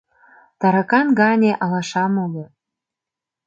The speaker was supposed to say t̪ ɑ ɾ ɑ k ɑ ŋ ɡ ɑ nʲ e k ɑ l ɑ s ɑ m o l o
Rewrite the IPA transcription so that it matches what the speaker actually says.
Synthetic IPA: t̪ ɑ ɾ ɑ k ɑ n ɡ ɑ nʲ e ʔ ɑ l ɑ ʃ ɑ m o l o